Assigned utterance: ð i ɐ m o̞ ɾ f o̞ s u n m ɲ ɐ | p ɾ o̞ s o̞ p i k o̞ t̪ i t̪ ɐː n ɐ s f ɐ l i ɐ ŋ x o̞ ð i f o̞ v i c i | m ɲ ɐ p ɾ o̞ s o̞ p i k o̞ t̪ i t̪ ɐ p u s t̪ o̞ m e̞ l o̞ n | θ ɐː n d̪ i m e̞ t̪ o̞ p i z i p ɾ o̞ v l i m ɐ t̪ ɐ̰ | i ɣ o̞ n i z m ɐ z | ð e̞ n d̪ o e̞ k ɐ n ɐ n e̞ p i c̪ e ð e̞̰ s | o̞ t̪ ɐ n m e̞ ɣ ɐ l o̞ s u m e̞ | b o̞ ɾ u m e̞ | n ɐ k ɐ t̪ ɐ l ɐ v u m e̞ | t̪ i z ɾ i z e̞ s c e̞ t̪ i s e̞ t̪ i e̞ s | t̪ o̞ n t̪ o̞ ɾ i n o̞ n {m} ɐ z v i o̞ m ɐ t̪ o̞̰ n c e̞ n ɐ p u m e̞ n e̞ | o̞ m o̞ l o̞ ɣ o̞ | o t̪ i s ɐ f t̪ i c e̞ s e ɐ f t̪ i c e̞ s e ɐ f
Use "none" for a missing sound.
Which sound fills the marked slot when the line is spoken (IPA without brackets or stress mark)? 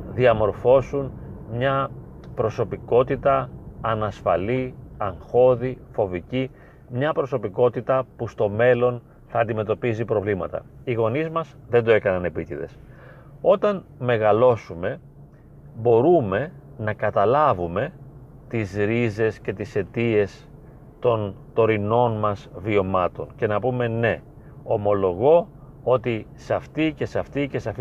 m